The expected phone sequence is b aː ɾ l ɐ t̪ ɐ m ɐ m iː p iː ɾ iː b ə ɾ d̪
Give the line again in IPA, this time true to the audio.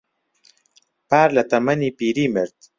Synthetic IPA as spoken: p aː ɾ l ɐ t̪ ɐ m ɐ n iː p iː ɾ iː m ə ɾ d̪